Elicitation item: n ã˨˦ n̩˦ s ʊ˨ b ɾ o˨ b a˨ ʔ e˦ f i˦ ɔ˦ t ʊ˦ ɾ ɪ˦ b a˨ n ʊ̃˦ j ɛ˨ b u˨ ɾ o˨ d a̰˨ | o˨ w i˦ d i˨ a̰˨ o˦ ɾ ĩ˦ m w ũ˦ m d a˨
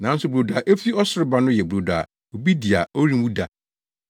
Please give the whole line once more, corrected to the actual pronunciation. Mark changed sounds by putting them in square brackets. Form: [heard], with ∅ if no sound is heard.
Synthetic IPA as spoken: n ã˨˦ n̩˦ s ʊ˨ b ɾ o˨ [d] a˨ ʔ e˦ f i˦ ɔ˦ [s] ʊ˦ ɾ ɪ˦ b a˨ n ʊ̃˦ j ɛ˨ b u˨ ɾ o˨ d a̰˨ | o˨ [b] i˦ d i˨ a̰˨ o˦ ɾ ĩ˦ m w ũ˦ [∅] d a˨